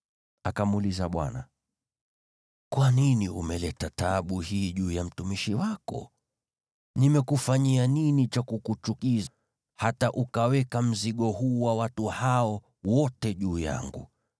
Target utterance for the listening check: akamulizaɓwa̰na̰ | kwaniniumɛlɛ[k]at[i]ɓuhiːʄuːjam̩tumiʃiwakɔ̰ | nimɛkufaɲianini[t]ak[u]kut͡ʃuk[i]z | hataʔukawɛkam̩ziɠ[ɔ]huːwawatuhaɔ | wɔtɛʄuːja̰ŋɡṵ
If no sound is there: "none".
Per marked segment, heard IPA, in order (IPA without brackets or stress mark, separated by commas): t, a, t͡ʃ, u, i, ɔ